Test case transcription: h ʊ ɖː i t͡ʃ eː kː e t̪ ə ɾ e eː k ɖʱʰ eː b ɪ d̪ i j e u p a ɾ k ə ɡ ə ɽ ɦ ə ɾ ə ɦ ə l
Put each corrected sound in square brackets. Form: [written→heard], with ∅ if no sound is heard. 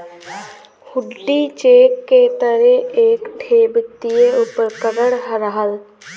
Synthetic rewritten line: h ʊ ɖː i t͡ʃ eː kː e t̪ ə ɾ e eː k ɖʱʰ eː b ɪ [d̪→t̪] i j e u p [a→ə] ɾ k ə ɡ ə ɽ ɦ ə ɾ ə ɦ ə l

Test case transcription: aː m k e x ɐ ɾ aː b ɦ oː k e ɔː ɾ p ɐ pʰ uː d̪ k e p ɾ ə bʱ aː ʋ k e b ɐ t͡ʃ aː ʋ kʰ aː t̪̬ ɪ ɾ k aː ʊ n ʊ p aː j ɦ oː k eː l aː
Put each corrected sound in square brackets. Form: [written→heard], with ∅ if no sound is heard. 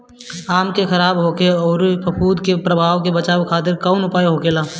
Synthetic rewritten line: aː m k e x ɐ ɾ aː b ɦ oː k e ɔː ɾ p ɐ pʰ uː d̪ k e p ɾ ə bʱ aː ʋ k e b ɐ t͡ʃ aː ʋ kʰ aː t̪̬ ɪ ɾ k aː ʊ n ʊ p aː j ɦ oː k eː l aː

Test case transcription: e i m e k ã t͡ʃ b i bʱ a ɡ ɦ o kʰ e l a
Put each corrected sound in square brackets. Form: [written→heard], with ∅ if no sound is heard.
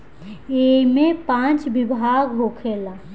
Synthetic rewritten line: e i m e [k→p] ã t͡ʃ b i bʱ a ɡ ɦ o kʰ e l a

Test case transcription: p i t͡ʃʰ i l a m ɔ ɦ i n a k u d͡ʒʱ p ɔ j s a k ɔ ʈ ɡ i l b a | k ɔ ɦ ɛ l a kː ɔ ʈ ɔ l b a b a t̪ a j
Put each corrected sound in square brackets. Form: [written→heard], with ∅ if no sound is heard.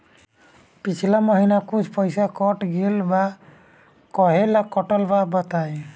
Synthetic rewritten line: p i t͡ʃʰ i l a m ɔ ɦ i n a k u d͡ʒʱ p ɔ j s a k ɔ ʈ ɡ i l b a | k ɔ ɦ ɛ l a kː ɔ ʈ ɔ l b a b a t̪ a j

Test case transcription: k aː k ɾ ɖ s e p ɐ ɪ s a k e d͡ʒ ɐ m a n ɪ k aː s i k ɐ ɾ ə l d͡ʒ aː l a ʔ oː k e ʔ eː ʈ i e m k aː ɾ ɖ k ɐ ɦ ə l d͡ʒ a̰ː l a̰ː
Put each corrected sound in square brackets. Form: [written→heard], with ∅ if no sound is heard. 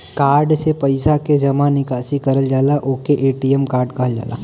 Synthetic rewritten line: k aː [k→∅] ɾ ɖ s e p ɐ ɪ s a k e d͡ʒ ɐ m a n ɪ k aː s i k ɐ ɾ ə l d͡ʒ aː l a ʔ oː k e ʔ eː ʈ i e m k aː ɾ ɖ k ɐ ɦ ə l d͡ʒ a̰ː l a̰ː

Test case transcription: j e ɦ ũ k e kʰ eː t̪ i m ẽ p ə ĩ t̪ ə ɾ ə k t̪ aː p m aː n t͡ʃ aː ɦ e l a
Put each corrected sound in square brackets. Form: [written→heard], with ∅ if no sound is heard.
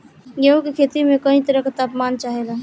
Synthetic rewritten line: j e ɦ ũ k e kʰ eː t̪ i m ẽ [p→k] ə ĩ t̪ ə ɾ ə k t̪ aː p m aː n t͡ʃ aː ɦ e l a

